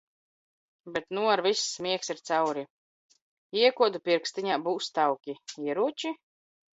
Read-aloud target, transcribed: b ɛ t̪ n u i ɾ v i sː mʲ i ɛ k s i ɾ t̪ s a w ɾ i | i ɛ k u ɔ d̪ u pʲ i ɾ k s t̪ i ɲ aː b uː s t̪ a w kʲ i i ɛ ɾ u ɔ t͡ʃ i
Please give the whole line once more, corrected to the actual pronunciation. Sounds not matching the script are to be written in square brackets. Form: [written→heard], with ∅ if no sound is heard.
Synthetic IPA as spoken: b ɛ t̪ n u [i→a] ɾ v i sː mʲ i ɛ k s i ɾ t̪ s a w ɾ i | i ɛ k u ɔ d̪ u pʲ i ɾ k s t̪ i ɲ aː b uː s t̪ a w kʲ i i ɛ ɾ u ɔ t͡ʃ i